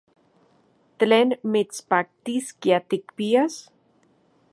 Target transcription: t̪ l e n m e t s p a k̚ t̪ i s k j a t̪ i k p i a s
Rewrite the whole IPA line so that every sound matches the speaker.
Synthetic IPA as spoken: t̪ l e n m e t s p a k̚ t̪ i s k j a t̪ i k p i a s